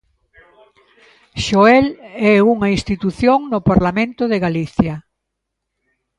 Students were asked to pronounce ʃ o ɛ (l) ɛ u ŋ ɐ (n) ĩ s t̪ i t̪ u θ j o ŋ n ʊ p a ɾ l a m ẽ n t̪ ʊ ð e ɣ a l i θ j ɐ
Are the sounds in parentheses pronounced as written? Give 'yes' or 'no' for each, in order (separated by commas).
yes, no